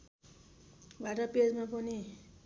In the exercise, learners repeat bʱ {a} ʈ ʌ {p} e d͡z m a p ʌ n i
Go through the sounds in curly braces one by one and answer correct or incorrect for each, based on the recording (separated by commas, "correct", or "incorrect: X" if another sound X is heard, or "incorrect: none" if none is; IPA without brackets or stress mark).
correct, correct